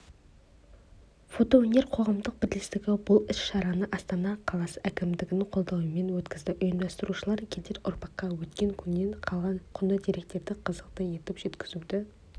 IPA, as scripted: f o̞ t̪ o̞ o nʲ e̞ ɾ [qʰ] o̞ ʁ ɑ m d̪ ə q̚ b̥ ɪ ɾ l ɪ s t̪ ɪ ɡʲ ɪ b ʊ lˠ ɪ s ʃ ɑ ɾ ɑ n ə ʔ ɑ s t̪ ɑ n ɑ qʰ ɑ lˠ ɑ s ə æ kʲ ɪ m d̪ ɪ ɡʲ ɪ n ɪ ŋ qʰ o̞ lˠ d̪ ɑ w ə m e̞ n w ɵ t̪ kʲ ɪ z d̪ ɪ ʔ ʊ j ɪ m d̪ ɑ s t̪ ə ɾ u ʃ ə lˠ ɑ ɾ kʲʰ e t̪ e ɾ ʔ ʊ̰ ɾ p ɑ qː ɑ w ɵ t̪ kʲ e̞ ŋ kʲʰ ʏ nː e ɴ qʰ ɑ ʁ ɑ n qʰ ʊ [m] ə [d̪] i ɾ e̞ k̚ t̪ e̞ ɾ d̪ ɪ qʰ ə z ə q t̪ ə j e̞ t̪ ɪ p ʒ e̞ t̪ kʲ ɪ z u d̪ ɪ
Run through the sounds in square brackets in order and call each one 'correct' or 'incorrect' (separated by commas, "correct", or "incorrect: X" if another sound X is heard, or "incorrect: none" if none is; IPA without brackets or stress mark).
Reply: correct, incorrect: n, correct